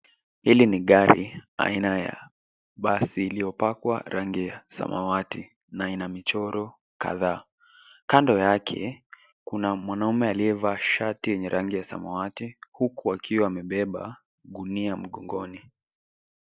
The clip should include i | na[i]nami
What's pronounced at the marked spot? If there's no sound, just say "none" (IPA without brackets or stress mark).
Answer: i